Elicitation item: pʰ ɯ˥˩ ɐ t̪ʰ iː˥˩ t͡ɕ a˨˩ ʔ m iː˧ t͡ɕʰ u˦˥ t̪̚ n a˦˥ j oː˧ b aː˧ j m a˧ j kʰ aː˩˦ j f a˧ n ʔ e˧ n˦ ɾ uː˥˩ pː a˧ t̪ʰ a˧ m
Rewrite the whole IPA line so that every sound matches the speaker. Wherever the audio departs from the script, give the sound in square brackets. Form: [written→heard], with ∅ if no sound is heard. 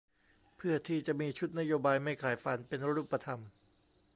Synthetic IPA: pʰ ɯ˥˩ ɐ t̪ʰ iː˥˩ t͡ɕ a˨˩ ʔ m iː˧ t͡ɕʰ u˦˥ t̪̚ n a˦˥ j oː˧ b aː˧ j m [a˧→a˥˩] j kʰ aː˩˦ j f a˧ n [ʔ→p] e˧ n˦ ɾ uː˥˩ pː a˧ t̪ʰ a˧ m